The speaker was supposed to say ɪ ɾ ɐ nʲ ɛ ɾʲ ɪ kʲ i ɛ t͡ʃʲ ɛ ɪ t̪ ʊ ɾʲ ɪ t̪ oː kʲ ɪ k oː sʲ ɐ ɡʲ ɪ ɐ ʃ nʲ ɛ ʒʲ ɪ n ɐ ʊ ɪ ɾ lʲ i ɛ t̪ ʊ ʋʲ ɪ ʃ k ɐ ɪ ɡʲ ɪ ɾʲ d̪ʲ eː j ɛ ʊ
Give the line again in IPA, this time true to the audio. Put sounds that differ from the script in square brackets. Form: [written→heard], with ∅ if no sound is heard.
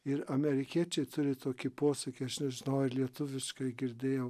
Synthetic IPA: ɪ ɾ ɐ [nʲ→mʲ] ɛ ɾʲ ɪ kʲ i ɛ t͡ʃʲ ɛ ɪ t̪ ʊ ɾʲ ɪ t̪ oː kʲ ɪ [k→p] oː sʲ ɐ [ɡʲ→kʲ] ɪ ɐ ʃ nʲ ɛ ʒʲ ɪ n ɐ ʊ ɪ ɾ lʲ i ɛ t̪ ʊ ʋʲ ɪ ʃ k ɐ ɪ ɡʲ ɪ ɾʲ d̪ʲ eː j ɛ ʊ